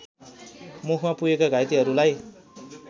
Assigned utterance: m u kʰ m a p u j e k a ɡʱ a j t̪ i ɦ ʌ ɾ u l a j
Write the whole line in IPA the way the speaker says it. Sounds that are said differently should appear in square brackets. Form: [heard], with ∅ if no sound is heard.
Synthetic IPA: m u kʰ m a p u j e k a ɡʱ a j t̪ i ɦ ʌ ɾ u l a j